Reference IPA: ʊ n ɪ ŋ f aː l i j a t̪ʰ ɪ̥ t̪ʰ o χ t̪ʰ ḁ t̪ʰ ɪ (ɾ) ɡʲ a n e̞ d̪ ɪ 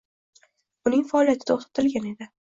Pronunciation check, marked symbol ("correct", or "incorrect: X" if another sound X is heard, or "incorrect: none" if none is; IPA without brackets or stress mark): incorrect: l